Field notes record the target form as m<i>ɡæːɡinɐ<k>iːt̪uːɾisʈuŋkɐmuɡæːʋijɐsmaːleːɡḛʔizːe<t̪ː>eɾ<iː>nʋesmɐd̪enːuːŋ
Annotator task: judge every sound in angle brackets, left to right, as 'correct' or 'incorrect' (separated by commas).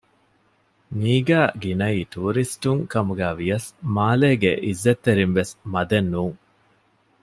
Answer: incorrect, incorrect, correct, incorrect